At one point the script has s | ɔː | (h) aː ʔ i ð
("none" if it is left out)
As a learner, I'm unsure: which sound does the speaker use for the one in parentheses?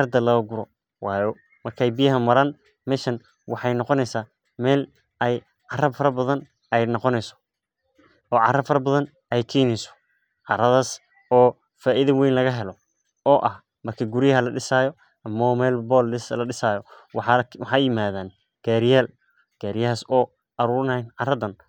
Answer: f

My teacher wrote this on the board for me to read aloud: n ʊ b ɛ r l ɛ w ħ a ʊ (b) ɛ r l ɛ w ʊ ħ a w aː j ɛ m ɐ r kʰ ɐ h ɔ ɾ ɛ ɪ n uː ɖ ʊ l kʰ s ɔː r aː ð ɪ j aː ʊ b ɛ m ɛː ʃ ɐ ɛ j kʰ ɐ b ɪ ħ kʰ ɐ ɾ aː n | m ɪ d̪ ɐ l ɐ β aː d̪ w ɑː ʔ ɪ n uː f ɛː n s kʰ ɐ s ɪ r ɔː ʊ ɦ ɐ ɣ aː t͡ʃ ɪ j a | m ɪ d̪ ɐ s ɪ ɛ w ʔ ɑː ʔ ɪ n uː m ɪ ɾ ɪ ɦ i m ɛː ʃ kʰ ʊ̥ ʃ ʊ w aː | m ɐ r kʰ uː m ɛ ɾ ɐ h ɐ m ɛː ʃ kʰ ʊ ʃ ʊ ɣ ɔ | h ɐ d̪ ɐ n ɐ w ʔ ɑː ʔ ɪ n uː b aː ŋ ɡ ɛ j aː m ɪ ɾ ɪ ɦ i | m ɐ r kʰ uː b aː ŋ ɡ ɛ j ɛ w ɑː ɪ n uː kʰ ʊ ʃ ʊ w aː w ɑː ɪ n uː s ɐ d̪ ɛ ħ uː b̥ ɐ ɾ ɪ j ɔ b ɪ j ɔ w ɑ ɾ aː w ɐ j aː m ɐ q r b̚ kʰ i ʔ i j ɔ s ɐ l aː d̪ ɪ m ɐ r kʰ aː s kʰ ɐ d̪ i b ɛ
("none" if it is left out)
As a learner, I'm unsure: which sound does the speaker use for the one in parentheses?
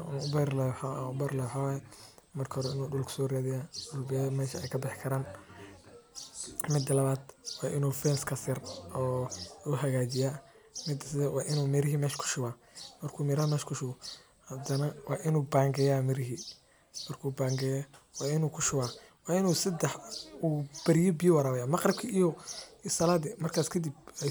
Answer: b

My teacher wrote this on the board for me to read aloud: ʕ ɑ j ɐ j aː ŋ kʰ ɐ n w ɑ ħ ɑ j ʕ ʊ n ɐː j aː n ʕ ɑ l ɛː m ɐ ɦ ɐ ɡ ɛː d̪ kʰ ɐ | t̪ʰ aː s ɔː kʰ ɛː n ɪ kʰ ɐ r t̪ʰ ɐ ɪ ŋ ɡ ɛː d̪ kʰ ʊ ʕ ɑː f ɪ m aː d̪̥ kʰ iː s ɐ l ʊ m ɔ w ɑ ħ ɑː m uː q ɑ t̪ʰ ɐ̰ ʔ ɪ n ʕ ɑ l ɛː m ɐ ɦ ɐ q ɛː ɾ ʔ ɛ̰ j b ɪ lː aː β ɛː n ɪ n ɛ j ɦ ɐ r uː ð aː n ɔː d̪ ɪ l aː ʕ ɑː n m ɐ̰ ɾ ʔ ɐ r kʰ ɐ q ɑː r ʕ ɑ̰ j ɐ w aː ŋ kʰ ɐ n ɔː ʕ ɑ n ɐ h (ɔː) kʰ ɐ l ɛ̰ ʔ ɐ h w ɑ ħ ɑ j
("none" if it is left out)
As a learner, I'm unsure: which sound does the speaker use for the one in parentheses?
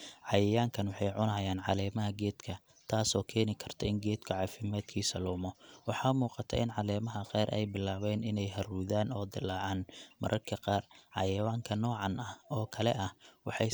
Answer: ɔː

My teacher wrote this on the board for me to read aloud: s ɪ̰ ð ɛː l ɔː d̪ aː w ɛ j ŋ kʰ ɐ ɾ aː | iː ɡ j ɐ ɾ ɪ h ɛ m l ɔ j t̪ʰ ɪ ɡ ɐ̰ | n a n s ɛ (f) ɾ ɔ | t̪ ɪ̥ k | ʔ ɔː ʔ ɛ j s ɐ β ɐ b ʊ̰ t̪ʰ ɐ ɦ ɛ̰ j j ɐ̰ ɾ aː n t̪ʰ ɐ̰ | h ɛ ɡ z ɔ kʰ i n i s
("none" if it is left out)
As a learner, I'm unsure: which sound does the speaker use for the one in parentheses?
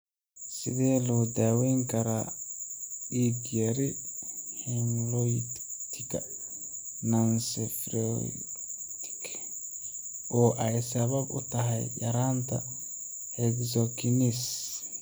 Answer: f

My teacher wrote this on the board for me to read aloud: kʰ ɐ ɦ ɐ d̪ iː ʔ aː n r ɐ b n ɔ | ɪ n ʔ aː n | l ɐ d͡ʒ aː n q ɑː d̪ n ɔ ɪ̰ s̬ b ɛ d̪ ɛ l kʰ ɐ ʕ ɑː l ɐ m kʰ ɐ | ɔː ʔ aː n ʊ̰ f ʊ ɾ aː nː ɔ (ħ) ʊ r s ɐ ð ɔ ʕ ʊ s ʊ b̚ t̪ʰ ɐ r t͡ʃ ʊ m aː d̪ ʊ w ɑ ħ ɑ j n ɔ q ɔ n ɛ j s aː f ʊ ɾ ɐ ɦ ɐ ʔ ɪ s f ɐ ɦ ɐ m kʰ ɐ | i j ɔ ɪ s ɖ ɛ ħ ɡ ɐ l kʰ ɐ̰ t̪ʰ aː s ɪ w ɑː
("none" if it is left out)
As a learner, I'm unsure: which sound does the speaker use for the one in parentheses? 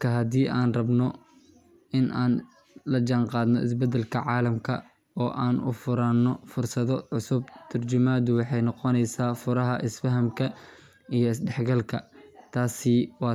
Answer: f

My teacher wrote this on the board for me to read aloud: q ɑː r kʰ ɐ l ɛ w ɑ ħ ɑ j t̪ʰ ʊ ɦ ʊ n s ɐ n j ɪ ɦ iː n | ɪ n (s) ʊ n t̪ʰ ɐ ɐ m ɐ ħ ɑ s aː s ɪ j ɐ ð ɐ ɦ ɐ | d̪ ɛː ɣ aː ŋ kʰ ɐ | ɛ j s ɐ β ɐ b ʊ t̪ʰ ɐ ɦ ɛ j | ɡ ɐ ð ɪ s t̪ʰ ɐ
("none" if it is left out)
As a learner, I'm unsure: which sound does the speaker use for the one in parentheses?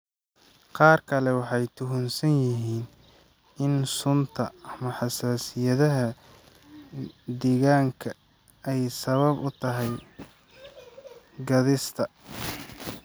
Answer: s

